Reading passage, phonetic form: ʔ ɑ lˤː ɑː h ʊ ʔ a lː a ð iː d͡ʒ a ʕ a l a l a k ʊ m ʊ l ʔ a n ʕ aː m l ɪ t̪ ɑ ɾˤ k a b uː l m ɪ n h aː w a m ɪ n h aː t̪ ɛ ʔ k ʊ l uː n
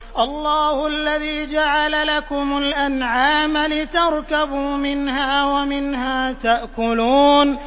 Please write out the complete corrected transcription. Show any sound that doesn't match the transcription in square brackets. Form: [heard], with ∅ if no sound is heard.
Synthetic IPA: ʔ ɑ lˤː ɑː h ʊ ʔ a lː a ð iː d͡ʒ a ʕ a l a l a k ʊ m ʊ l ʔ a n ʕ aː m l ɪ t̪ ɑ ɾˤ k a b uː [∅] m ɪ n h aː w a m ɪ n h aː t̪ [a] ʔ k ʊ l uː n